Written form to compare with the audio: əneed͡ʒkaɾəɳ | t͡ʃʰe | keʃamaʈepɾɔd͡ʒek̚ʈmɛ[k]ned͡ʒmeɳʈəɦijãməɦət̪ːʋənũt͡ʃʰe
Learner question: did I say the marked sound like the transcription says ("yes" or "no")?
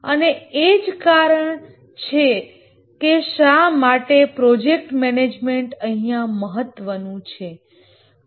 no